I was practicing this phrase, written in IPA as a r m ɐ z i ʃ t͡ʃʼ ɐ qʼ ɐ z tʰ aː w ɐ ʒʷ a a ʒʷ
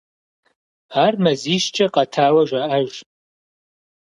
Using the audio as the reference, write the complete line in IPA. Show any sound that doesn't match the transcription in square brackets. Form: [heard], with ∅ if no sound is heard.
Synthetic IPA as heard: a r m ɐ z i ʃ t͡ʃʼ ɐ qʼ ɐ [∅] tʰ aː w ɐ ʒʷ a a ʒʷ